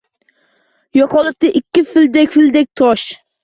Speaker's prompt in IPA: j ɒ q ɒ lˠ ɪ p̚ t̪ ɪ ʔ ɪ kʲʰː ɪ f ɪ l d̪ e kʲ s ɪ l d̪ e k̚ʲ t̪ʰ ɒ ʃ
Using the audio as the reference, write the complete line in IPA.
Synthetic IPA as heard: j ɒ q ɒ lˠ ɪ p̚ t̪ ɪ ʔ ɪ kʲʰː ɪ f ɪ l d̪ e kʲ f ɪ l d̪ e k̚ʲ t̪ʰ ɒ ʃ

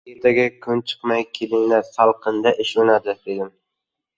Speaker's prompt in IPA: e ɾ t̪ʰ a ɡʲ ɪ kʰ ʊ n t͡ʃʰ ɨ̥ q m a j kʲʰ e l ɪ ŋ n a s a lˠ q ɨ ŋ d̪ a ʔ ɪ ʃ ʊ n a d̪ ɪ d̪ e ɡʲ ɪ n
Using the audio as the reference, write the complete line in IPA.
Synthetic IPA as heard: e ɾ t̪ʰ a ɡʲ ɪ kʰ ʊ n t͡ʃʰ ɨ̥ q m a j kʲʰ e l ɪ ŋ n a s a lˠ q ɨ n d̪ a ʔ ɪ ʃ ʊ n a d̪ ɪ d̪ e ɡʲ ɪ n

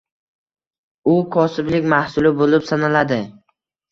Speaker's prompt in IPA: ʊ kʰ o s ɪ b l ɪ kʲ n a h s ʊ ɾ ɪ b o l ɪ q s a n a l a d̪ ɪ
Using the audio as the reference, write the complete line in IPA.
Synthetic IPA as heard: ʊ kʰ ɒ s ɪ b l ɪ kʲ m a h s ʊ l ɪ b o l ɪ p s a n a l a d̪ ɪ

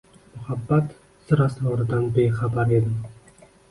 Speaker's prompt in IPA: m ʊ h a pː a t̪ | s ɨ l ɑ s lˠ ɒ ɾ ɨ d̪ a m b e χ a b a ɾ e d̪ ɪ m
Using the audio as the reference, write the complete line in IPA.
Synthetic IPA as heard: m ʊ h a bː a t̪ | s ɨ ɾ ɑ s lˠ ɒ ɾ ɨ d̪ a n b e χ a b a ɾ e d̪ ɪ m

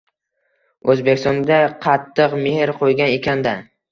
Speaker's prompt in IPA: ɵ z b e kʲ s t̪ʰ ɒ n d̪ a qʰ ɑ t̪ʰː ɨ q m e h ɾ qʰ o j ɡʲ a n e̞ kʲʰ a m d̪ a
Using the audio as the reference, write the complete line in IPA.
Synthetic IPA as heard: ɵ z b e kʲ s t̪ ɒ n d̪ a qʰ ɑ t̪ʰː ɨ q m e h ɾ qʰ o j ɡʲ a n e̞ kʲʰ a n d̪ a

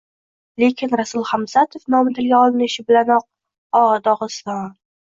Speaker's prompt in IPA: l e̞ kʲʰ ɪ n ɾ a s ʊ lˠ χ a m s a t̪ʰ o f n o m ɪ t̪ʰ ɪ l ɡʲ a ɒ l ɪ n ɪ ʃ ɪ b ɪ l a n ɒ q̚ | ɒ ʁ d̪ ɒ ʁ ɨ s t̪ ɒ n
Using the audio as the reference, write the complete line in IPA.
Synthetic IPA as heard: l e̞ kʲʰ ɪ n ɾ a s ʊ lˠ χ a m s a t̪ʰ o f n ɒ m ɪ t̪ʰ ɪ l ɡʲ a ɒ l ɪ n ɪ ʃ ɪ b ɪ l a n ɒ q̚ | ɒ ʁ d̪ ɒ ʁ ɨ s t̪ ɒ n

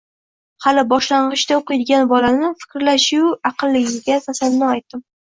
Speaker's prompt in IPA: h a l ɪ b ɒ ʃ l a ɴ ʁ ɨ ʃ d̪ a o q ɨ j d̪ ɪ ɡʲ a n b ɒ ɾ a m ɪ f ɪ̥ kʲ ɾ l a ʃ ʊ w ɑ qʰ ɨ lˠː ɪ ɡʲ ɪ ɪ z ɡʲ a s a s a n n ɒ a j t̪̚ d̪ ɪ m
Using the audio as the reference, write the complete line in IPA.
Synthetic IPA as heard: h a l ɪ b ɒ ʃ l a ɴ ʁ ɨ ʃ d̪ a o q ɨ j d̪ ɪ ɡʲ a n b ɒ l a n ɪ f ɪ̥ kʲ ɾ l a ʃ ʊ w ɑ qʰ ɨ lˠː ɪ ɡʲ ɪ ɪ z ɡʲ a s a s a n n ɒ a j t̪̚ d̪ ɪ m

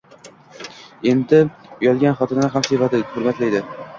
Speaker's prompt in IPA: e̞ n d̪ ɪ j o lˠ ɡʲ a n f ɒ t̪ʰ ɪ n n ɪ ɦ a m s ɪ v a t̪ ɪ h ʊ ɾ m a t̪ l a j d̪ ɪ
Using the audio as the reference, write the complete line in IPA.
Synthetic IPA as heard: e̞ n d̪ ɪ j ɒ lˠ ɡʲ a n χ ɒ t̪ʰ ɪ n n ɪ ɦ a m s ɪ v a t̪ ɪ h ʊ ɾ m a t̪ l a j d̪ ɪ

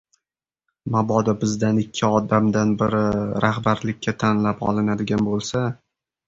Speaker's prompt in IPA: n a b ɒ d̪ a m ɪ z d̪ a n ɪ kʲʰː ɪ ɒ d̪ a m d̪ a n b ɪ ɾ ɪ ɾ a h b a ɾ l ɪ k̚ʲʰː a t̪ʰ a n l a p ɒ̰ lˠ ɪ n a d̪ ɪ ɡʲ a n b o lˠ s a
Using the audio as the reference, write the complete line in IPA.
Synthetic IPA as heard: m a b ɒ d̪ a b ɪ z d̪ a n ɪ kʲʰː ɪ ɒ d̪ a m d̪ a n b ɪ ɾ ɪ ɾ a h b a ɾ l ɪ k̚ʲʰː a t̪ʰ a n l a p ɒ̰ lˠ ɪ n a d̪ ɪ ɡʲ a n b o lˠ s a

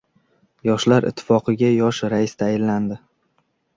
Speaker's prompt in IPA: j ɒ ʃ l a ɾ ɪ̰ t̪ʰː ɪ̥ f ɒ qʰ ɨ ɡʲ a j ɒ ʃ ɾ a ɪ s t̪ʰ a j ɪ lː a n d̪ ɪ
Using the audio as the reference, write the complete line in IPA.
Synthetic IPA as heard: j ɒ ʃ l a ɾ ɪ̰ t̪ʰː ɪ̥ f ɒ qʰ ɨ ɡʲ a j ɒ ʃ ɾ a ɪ s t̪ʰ a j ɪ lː a n d̪ ɪ

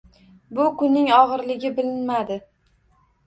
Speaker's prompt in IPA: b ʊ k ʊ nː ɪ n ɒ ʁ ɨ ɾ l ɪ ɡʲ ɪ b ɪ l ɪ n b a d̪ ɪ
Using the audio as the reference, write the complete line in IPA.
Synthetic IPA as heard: b ʊ k ʊ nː ɪ ŋ ɒ ʁ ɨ ɾ l ɪ ɡʲ ɪ b ɪ l ɪ n m a d̪ ɪ

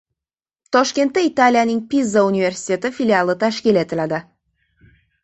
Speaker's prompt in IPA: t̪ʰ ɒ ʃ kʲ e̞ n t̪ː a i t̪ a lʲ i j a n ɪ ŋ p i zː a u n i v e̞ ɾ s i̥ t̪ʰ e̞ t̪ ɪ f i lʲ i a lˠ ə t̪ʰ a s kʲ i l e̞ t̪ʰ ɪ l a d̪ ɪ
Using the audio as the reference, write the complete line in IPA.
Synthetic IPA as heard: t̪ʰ ɒ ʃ kʲ e̞ n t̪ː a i t̪ a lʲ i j a n ɪ ŋ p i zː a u n i v e̞ ɾ s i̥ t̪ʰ e̞ t̪ ɪ f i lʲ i a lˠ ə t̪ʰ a ʃ kʲ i l e̞ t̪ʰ ɪ l a d̪ ɪ

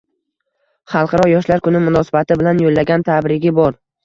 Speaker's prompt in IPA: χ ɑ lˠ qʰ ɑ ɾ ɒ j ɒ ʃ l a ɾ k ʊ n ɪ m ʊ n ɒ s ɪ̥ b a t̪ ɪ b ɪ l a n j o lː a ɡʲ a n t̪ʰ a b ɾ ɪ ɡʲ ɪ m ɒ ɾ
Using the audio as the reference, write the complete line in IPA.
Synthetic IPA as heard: χ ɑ lˠ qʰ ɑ ɾ ɒ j ɒ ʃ l a ɾ k ʊ n ɪ m ʊ n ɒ s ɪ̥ b a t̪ ɪ b ɪ l a n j o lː a ɡʲ a n t̪ʰ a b ɾ ɪ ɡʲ ɪ b ɒ ɾ

